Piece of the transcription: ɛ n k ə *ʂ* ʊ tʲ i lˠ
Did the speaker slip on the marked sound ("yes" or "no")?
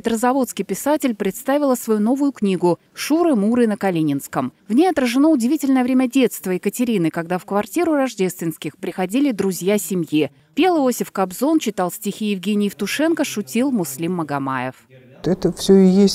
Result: no